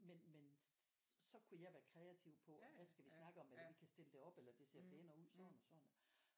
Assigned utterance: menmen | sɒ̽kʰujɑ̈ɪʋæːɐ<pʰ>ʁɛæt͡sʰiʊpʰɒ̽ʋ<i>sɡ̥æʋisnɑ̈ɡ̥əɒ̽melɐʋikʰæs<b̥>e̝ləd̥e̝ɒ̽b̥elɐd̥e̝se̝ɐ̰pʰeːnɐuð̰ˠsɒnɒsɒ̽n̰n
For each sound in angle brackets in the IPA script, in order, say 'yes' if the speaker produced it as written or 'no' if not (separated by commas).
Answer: no, no, no